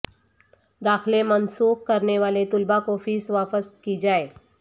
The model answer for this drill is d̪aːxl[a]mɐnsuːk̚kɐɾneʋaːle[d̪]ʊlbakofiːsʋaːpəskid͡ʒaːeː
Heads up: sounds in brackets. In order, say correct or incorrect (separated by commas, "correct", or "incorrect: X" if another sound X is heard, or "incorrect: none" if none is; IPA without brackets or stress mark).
incorrect: e, incorrect: t̪